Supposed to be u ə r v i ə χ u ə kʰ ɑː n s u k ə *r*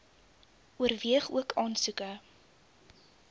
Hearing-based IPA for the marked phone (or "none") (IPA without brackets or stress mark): none